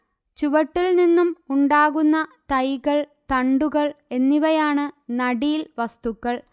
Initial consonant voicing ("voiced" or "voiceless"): voiceless